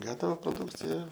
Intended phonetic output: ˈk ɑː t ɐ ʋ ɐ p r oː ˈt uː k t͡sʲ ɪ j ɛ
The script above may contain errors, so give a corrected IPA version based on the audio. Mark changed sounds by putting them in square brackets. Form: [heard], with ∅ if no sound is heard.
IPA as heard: [ˈɡ] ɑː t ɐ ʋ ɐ p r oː [ˈd] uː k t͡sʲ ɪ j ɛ